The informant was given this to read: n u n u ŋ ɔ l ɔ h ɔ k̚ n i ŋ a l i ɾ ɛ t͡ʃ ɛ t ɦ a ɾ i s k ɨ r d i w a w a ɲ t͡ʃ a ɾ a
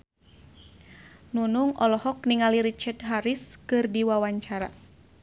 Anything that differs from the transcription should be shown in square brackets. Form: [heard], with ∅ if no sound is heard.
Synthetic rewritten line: n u n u ŋ ɔ l ɔ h ɔ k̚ n i ŋ a l i ɾ [i] t͡ʃ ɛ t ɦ a ɾ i s k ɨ r d i w a w a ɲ t͡ʃ a ɾ a